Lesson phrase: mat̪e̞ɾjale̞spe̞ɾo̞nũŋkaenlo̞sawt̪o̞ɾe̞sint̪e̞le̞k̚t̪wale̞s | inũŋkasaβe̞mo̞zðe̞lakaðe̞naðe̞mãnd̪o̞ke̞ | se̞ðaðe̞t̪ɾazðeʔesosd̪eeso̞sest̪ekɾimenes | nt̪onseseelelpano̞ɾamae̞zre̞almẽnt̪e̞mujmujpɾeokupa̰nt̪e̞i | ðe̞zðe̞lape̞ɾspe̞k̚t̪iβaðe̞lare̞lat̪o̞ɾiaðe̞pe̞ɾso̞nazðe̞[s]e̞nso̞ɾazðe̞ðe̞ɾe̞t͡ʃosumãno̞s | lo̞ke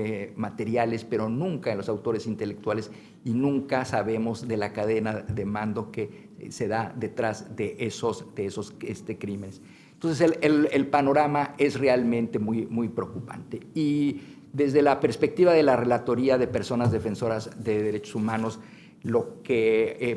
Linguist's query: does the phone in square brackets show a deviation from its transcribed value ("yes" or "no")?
yes